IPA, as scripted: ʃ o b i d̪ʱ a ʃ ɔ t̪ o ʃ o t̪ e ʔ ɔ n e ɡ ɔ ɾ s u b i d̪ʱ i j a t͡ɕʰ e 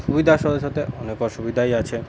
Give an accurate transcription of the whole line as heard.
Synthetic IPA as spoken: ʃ u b i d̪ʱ a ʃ ɔ d̪ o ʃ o t̪ e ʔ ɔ n e k ɔ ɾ ʃ u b i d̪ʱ a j a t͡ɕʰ e

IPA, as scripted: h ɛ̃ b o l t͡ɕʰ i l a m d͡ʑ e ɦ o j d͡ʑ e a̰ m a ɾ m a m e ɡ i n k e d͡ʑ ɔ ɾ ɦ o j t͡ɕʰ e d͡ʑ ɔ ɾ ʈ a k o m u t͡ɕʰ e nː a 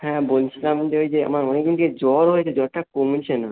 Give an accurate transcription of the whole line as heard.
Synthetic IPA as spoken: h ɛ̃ b o l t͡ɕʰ i l a m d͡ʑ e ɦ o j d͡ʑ e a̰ m a ɾ m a n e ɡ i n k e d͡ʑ ɔ ɾ ɦ o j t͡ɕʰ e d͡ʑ ɔ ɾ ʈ a k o m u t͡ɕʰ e n a

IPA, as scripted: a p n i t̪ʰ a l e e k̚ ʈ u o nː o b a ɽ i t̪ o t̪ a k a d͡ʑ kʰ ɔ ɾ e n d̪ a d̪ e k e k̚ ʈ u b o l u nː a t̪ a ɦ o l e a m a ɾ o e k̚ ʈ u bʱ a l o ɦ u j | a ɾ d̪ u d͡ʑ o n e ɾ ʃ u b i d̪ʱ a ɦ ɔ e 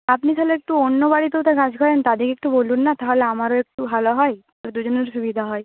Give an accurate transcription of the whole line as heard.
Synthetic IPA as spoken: a p n i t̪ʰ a l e e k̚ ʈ u o nː o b a ɽ i t̪ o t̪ a k a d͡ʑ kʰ ɔ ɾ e n t̪ a d̪ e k e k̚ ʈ u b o l u nː a t̪ a ɦ o l e a m a ɾ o e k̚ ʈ u bʱ a l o ɦ ɔ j | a ɾ d̪ u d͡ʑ o n e ɾ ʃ u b i d̪ʱ a ɦ ɔ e

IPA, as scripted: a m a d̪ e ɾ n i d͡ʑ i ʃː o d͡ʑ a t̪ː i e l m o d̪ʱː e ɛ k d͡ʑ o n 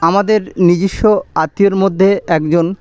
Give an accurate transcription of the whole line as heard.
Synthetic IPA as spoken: a m a d̪ e ɾ n i d͡ʑ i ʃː o a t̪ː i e ɾ m o d̪ʱː e ɛ k d͡ʑ o n

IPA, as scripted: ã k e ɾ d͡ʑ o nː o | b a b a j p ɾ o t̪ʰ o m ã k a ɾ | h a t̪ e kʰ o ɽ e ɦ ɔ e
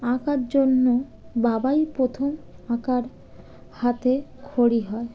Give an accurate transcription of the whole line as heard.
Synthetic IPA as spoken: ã k a ɾ d͡ʑ o nː o | b a b a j p ɾ o t̪ʰ o m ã k a ɾ | h a t̪ e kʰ o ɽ i ɦ ɔ e

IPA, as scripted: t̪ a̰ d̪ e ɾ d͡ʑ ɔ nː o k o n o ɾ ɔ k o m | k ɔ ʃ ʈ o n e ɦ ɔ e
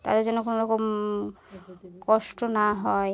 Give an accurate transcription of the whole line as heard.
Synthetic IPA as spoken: t̪ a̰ d̪ e ɾ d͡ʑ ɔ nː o k o n o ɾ ɔ k o m | k ɔ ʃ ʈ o n a ɦ ɔ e

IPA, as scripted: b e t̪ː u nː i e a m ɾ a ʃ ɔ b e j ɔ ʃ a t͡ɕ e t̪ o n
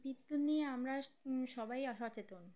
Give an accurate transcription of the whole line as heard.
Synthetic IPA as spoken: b i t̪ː u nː i e a m ɾ a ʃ ɔ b a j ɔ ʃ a t͡ɕ e t̪ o n

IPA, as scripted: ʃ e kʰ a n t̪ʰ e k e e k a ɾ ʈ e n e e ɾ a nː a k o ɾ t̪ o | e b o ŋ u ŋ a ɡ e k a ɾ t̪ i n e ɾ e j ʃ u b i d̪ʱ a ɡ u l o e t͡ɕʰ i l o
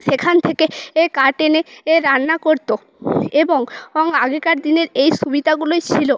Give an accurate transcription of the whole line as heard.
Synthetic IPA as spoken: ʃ e kʰ a n t̪ʰ e k e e k a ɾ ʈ e n e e ɾ a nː a k o ɾ t̪ o | e b o ŋ ɔ ŋ a ɡ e k a ɾ d̪ i n e ɾ e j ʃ u b i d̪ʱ a ɡ u l o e t͡ɕʰ i l o

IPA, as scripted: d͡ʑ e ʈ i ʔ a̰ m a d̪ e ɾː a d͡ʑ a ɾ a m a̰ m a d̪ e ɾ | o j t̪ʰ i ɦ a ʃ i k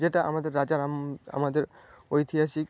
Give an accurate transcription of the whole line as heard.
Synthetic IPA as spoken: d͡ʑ e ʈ a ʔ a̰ m a d̪ e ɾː a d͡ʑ a ɾ a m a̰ m a d̪ e ɾ | o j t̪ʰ i ɦ a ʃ i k

